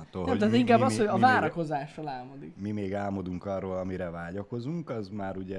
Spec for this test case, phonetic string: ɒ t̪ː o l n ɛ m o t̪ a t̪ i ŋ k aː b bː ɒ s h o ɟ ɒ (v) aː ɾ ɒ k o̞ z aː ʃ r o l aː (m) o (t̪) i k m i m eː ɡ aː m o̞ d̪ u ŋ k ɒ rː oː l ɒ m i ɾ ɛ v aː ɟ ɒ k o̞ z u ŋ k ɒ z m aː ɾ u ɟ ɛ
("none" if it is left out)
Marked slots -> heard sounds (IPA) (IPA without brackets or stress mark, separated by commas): v, m, d̪